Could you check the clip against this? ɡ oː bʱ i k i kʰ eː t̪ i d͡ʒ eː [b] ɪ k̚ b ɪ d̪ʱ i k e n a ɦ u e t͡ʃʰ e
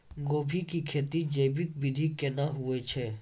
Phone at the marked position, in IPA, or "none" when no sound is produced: b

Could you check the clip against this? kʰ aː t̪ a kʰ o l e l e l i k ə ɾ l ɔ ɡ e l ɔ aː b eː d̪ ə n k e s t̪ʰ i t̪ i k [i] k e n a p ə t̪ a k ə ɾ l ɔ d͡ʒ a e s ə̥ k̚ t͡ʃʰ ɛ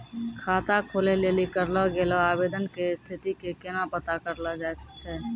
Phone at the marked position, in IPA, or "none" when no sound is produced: e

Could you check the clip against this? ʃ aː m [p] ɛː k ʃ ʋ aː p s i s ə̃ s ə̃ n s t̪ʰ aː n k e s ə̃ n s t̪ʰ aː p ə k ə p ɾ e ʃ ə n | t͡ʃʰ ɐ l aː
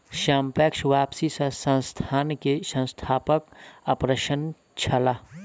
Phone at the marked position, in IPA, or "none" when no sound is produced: p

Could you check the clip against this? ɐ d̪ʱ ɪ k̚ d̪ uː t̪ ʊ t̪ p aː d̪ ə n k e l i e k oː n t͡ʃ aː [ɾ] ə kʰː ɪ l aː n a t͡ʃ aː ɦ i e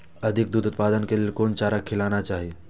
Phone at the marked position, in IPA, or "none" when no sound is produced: ɾ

